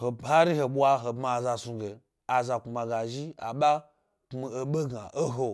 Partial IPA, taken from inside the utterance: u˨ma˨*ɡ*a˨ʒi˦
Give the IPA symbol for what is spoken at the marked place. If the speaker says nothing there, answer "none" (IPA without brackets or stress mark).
ɡ